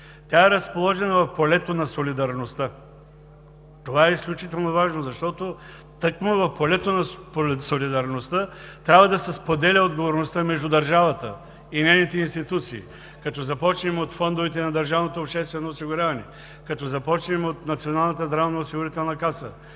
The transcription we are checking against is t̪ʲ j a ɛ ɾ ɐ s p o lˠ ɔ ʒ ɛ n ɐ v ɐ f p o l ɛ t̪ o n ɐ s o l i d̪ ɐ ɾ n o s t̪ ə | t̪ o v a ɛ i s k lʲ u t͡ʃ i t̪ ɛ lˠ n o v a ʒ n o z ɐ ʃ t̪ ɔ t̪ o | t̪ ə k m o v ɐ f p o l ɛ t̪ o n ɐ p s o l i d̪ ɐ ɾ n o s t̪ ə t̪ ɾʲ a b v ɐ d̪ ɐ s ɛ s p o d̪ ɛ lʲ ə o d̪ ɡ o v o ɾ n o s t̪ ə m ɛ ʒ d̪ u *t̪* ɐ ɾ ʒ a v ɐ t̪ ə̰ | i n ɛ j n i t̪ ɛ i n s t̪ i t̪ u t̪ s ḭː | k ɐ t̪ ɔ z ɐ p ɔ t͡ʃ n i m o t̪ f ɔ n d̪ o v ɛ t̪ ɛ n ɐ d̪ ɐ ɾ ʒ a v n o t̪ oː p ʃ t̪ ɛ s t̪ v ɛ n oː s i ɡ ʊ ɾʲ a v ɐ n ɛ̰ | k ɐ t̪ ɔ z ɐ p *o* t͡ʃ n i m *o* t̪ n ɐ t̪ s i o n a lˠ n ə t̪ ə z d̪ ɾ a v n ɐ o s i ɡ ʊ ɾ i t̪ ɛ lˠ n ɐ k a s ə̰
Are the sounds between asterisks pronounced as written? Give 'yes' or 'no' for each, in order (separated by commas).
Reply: no, no, yes